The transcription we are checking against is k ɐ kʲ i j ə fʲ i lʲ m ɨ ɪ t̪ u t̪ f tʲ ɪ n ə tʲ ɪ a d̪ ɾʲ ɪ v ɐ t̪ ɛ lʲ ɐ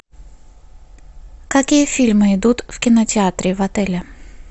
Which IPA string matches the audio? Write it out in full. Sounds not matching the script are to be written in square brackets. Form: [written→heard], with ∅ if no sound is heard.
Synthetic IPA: k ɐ kʲ i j ə fʲ i lʲ m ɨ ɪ [t̪→d̪] u t̪ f [tʲ→kʲ] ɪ n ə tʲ ɪ a [d̪→t̪] ɾʲ ɪ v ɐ t̪ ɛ lʲ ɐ